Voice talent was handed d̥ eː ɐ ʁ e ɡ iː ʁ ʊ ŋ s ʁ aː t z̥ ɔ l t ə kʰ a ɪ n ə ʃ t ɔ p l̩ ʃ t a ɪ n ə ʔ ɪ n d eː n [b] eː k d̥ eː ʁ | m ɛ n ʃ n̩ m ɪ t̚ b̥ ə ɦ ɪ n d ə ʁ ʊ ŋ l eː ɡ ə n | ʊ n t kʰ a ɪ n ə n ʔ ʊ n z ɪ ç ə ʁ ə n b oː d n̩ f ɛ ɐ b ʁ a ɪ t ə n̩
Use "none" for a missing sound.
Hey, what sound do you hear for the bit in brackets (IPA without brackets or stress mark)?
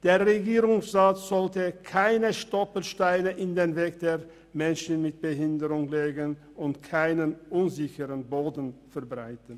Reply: v